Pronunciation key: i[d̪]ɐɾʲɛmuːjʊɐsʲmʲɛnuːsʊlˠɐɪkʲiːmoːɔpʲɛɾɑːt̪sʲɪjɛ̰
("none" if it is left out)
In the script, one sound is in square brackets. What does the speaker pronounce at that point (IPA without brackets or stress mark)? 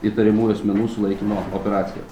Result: t̪